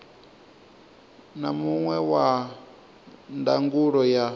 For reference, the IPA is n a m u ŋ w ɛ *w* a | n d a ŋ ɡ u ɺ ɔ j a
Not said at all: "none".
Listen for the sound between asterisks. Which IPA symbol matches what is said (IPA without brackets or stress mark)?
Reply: w